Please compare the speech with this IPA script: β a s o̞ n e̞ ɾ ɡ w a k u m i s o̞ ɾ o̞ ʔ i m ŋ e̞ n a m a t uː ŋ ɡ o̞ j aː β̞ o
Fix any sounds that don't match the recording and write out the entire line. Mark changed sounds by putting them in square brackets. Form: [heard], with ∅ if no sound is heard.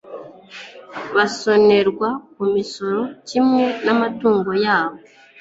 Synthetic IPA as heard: β a s o̞ n e̞ ɾ ɡ w a k u m i s o̞ ɾ o̞ [c] i m ŋ e̞ n a m a t uː ŋ ɡ o̞ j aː β̞ o